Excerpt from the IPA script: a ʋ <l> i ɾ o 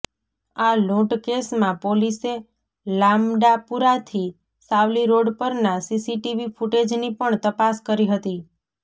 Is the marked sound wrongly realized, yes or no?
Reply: no